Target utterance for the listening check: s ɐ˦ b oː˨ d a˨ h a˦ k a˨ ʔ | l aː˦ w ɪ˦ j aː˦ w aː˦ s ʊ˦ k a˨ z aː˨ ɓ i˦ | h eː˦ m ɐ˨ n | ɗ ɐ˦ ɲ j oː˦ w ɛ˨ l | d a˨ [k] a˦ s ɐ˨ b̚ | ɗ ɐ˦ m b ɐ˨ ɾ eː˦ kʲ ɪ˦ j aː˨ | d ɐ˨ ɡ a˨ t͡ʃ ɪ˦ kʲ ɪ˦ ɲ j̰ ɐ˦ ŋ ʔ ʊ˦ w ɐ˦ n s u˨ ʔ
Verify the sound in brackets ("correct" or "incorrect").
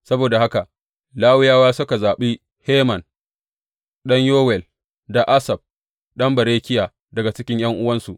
incorrect